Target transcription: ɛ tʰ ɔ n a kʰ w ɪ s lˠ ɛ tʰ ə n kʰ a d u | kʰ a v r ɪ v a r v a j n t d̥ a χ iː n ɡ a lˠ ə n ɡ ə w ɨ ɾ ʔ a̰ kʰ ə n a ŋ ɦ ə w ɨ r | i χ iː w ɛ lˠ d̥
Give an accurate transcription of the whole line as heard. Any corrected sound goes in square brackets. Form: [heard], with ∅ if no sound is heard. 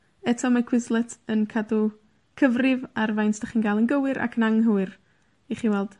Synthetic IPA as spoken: ɛ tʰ ɔ [m] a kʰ w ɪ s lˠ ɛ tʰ ə n kʰ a d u | kʰ [ə] v r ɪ v a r v a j n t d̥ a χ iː n ɡ a lˠ ə n ɡ ə w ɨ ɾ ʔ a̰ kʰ ə n a ŋ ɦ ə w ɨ r | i χ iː w ɛ lˠ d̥